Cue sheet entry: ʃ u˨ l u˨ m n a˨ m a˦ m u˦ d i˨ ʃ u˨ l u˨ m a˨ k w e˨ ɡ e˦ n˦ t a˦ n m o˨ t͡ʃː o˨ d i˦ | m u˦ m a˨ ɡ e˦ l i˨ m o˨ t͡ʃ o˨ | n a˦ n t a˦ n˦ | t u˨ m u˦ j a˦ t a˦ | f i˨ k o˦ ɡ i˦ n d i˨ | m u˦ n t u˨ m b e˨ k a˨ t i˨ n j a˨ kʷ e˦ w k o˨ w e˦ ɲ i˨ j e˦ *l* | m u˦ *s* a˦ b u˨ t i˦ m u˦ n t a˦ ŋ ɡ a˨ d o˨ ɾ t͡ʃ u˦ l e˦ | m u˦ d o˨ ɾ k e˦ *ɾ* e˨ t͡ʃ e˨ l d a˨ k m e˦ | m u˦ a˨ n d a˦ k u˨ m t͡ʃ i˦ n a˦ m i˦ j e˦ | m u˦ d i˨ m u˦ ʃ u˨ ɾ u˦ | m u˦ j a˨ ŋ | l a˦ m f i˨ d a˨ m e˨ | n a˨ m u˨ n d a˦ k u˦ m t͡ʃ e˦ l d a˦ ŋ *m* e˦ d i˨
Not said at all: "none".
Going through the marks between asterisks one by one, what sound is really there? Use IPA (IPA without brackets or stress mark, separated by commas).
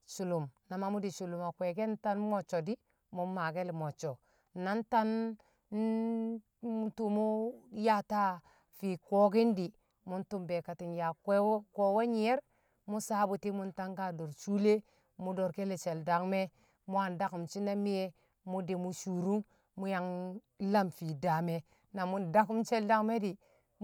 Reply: ɾ, s, l, m